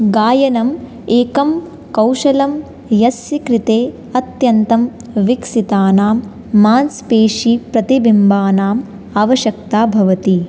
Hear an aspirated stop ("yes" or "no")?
no